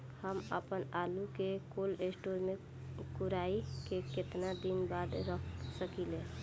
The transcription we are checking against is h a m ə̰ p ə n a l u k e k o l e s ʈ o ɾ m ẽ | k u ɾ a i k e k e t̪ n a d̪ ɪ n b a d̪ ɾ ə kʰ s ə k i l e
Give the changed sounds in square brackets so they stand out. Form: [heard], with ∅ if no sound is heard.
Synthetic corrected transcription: h [ə] m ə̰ p ə n a l u k e k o l e s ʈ o ɾ m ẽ | k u ɾ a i k e k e t̪ n a d̪ [i] n b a d̪ ɾ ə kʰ s ə k i l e

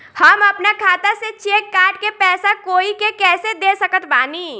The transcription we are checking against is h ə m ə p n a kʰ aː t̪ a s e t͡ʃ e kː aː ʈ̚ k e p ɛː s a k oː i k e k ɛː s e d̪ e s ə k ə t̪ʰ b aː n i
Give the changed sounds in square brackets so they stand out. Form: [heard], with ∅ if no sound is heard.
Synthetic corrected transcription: h ə m ə p n a kʰ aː t̪ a s e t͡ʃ e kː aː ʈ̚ k e p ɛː s a k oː i k e k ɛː s e d̪ e s ə k ə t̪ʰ b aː n i

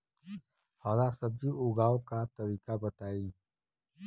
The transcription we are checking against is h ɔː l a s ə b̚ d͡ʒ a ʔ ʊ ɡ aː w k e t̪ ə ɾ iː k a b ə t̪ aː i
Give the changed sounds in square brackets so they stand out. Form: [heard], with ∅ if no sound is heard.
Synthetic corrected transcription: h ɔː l a s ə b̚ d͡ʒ [i] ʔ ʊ ɡ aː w k [a] t̪ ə ɾ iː k a b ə t̪ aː i

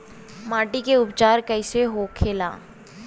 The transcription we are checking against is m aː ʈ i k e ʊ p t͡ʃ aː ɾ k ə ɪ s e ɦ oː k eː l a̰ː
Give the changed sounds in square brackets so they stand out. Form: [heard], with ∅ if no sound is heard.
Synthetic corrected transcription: m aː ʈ i k e ʊ p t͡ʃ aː ɾ k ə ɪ s e ɦ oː [kʰ] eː l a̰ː

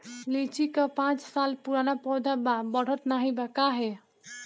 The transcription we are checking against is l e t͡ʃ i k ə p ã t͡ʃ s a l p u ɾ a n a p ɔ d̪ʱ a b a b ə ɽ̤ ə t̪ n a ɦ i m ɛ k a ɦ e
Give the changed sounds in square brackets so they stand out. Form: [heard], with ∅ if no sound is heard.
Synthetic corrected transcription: l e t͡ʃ i k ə p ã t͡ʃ s a l p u ɾ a n a p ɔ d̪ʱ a b a b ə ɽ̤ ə t̪ n a ɦ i [b] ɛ k a ɦ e

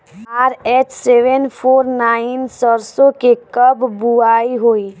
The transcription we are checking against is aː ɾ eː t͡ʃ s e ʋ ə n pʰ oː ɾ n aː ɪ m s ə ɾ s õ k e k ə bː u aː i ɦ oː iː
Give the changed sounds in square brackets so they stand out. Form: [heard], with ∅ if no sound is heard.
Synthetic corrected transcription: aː ɾ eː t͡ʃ s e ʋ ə n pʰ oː ɾ n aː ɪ [n] s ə ɾ s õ k e k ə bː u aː i ɦ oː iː

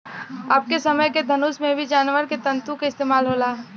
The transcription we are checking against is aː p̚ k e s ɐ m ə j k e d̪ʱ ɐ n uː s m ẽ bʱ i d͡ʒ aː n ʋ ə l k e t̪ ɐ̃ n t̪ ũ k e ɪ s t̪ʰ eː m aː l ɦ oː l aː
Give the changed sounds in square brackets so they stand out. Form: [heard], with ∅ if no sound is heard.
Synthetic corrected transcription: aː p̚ k e s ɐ m ə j k e d̪ʱ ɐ n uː s m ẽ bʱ i d͡ʒ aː n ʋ ə [ɾ] k e t̪ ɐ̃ n t̪ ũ k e ɪ s [t̪] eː m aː l ɦ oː l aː

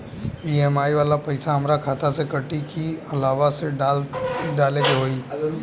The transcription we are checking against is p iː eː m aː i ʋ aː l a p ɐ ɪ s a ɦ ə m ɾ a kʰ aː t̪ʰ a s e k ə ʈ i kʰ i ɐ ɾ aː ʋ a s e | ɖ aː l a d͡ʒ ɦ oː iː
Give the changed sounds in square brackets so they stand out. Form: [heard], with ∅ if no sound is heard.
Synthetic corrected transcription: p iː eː m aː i ʋ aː l a p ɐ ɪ s a ɦ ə m ɾ a kʰ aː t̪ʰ a s e k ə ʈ i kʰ i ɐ [l] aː ʋ a s e | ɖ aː l [e] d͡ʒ ɦ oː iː

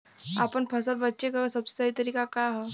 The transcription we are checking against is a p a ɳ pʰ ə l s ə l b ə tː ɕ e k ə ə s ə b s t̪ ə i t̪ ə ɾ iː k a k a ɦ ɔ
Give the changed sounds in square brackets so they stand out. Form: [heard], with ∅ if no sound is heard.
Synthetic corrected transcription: a p [ə] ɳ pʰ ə [∅] s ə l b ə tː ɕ e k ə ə s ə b s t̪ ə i t̪ ə ɾ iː k a k a ɦ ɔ

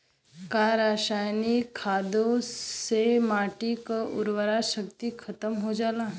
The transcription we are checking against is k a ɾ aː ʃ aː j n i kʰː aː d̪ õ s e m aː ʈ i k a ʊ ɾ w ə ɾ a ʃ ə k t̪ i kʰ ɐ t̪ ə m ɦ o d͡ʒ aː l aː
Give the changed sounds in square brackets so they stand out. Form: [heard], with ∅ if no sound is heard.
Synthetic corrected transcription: k a ɾ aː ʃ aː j n i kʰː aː d̪ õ s e m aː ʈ i k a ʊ ɾ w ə ɾ a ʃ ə k t̪ i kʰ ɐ t̪ ə m ɦ o d͡ʒ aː l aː

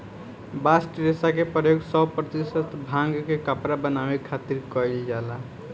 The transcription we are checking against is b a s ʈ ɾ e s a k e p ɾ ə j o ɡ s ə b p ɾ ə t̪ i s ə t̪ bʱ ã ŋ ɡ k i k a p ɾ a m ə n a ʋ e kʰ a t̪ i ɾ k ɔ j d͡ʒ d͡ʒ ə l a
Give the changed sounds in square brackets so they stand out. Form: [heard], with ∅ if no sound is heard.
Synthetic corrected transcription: b a s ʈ ɾ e s a k e p ɾ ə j o ɡ s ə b p ɾ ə t̪ i s ə t̪ bʱ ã ŋ ɡ k [e] k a p ɾ a [b] ə n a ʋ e kʰ a t̪ i ɾ k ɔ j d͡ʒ d͡ʒ [a] l a

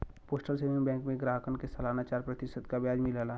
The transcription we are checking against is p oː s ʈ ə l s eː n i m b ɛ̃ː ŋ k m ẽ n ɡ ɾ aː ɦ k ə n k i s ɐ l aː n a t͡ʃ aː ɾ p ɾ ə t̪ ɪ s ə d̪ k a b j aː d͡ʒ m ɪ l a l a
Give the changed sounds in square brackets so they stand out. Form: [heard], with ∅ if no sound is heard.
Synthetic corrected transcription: p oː s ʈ ə l s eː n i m b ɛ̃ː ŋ k m ẽ [∅] ɡ ɾ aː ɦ k ə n k [e] s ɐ l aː n a t͡ʃ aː ɾ p ɾ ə t̪ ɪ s ə d̪ k a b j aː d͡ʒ m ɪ l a l a

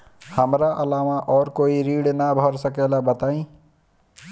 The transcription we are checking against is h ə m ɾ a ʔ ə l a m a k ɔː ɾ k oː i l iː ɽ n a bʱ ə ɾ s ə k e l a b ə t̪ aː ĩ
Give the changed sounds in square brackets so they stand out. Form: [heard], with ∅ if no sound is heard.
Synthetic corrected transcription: h ə m ɾ a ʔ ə l a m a [ʔ] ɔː ɾ k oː i [ɾ] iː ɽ n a bʱ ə ɾ s ə k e l a b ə t̪ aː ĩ

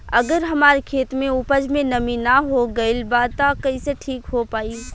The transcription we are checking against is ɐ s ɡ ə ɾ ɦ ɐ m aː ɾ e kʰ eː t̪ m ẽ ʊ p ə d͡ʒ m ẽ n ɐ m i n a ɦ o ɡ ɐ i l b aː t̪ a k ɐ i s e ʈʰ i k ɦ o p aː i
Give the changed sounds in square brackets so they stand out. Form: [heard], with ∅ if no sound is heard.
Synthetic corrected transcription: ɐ [∅] ɡ ə ɾ ɦ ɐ m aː ɾ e kʰ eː t̪ m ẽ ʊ p ə d͡ʒ m ẽ n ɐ m i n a ɦ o ɡ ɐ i l b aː t̪ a k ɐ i s e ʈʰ [iː] k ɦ o p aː i

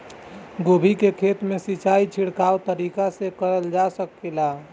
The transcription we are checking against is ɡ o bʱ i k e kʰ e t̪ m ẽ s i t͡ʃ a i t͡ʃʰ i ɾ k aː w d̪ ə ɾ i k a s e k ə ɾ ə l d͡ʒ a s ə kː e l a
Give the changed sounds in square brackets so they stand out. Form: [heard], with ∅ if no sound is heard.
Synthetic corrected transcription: ɡ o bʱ i k e kʰ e t̪ m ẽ s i t͡ʃ a i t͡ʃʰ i [ɽ] k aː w [t̪] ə ɾ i k a s e k ə ɾ ə l d͡ʒ a s ə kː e l a

